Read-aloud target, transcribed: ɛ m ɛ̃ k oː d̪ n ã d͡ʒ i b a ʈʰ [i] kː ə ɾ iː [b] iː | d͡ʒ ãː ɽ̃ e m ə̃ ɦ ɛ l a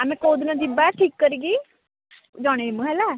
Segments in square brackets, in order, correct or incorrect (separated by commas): incorrect, incorrect